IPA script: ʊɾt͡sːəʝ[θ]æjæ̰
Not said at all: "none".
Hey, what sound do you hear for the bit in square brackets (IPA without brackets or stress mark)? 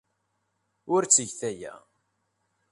θ